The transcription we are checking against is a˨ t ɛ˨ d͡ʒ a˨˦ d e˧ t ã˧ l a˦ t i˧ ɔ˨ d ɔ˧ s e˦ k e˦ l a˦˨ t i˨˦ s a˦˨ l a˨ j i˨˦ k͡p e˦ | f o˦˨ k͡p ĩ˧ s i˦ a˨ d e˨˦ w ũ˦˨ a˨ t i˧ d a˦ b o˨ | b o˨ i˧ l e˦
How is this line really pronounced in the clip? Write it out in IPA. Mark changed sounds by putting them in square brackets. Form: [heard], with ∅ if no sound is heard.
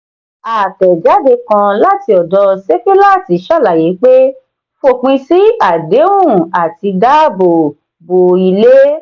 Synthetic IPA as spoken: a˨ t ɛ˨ d͡ʒ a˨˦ d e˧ [k] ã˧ l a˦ t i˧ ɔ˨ d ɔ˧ s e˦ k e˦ l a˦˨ t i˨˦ [ʃ] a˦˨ l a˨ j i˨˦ k͡p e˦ | f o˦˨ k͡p ĩ˧ s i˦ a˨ d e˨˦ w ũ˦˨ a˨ t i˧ d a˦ b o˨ | b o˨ i˧ l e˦